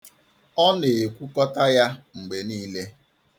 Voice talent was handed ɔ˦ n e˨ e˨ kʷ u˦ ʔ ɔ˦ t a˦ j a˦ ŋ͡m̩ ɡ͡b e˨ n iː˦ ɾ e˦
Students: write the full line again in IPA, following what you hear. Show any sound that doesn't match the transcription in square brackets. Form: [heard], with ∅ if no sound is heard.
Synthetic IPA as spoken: ɔ˦ n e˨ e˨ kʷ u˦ [k] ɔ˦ t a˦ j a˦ ŋ͡m̩ ɡ͡b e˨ n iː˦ [l] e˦